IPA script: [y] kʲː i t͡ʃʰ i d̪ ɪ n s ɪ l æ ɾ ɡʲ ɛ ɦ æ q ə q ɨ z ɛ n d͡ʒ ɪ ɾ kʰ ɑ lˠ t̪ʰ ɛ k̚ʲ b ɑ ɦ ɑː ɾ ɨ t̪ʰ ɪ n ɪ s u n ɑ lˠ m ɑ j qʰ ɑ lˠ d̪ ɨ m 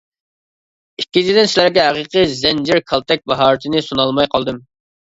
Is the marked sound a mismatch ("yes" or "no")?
yes